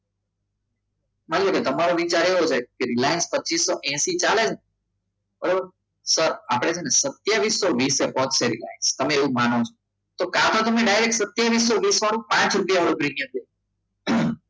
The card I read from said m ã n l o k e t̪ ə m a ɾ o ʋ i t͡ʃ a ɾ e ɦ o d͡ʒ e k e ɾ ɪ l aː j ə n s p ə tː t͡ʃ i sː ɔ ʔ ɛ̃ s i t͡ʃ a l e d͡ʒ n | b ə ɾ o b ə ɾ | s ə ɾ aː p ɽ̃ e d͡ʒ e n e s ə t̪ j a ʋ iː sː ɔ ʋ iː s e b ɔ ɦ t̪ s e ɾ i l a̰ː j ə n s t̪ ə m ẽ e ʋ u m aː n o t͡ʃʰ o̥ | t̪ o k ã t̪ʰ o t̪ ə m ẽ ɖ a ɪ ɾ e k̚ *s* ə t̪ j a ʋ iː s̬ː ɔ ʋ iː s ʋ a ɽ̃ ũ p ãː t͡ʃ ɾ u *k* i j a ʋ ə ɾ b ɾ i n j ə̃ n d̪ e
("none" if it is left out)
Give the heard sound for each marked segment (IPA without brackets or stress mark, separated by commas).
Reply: s, p